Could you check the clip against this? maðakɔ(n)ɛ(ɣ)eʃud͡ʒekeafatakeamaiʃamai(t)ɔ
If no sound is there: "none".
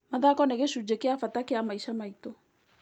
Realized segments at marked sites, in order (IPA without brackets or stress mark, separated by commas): n, ɣ, t